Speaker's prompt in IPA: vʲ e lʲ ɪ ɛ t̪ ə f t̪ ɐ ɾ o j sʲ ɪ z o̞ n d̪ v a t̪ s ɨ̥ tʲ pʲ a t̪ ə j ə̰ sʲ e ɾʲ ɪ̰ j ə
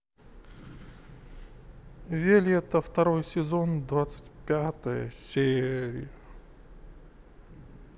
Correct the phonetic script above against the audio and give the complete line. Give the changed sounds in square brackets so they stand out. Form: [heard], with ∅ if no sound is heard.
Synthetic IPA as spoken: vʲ e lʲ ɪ ɛ t̪ ə f t̪ ɐ ɾ o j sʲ ɪ z o̞ n d̪ v a t̪ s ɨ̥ tʲ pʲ a t̪ ə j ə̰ sʲ e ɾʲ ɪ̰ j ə

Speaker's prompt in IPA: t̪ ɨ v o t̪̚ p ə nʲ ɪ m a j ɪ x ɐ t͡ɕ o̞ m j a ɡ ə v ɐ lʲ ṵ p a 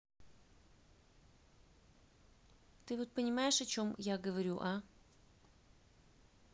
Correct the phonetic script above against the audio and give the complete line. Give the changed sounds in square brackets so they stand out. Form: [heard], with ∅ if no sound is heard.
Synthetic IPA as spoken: t̪ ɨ v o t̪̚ p ə nʲ ɪ m a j ɪ [ʂ] ɐ t͡ɕ o̞ m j a ɡ ə v ɐ [ɾʲ] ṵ [ʔ] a

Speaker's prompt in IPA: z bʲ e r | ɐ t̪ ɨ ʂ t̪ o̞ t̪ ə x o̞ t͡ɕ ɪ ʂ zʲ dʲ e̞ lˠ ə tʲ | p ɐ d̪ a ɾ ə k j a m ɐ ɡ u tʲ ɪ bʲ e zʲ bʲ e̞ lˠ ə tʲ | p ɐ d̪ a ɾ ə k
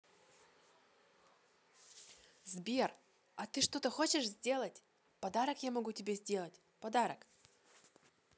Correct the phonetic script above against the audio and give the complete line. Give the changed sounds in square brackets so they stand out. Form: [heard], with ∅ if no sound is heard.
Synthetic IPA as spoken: z bʲ e r | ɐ t̪ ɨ ʂ t̪ o̞ t̪ ə x o̞ t͡ɕ ɪ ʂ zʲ dʲ e̞ lˠ ə tʲ | p ɐ d̪ a ɾ ə k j a m ɐ ɡ u tʲ ɪ bʲ e zʲ [dʲ] e̞ lˠ ə tʲ | p ɐ d̪ a ɾ ə k

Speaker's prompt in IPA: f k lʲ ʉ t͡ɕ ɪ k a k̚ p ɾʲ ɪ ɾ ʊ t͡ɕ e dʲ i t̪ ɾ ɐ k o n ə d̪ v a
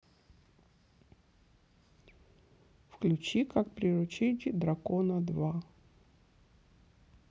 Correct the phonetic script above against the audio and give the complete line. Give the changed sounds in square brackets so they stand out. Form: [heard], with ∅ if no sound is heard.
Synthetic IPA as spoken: f k lʲ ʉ t͡ɕ [i] k a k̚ p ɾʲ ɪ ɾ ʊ t͡ɕ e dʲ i [d̪] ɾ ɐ k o n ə d̪ v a

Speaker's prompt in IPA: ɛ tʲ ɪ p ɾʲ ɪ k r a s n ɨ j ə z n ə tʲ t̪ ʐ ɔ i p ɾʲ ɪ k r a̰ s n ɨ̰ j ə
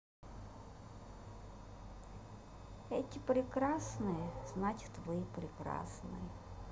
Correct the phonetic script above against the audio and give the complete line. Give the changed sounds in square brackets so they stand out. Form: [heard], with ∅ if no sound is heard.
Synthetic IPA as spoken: ɛ tʲ ɪ p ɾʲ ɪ k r a s n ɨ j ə z n [a] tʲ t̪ [v] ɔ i p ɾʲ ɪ k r a̰ s n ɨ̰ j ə

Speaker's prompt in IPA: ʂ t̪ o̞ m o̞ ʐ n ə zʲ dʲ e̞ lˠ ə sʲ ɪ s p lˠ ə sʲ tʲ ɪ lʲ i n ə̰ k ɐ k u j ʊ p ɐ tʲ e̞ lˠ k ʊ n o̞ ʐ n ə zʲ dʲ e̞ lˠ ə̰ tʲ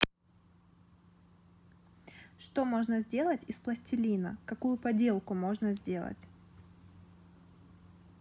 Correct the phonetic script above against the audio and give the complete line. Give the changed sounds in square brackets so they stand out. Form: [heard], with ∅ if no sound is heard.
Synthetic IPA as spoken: ʂ t̪ o̞ m o̞ ʐ n ə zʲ dʲ e̞ lˠ ə [tʲ] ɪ s p lˠ ə sʲ tʲ ɪ lʲ i n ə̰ k ɐ k u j ʊ p ɐ [dʲ] e̞ lˠ k ʊ [m] o̞ ʐ n ə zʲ dʲ e̞ lˠ ə̰ tʲ

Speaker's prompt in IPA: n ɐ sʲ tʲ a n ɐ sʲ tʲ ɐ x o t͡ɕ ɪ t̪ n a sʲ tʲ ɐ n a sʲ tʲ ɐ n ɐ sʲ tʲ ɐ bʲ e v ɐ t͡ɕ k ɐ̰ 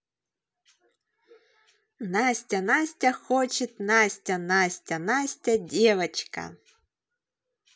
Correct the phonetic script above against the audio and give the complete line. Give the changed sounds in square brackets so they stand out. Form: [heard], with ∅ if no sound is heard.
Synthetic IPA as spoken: n [a] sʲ tʲ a n [a] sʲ tʲ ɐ x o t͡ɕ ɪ t̪ n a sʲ tʲ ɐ n a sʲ tʲ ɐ n [a] sʲ tʲ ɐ [dʲ] e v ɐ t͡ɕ k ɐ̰

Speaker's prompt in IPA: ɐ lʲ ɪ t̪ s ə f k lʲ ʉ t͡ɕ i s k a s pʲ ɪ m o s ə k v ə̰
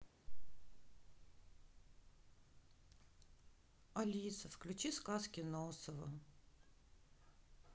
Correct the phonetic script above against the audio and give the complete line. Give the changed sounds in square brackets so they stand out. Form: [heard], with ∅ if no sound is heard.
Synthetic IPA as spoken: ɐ lʲ [i] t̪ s ə f k lʲ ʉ t͡ɕ i s k a s [kʲ] ɪ [n] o s ə [∅] v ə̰

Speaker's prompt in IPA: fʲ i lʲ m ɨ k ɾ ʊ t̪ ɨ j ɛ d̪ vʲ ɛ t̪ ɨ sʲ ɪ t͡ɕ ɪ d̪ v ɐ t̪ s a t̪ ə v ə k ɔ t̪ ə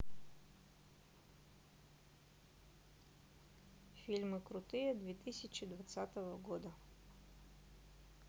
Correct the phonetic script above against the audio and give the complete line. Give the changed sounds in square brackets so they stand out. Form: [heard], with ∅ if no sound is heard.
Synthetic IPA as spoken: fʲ i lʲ m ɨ k ɾ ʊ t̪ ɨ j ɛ d̪ vʲ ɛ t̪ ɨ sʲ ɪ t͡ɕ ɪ d̪ v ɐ t̪ s a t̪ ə v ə [ɡ] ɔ [d̪] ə

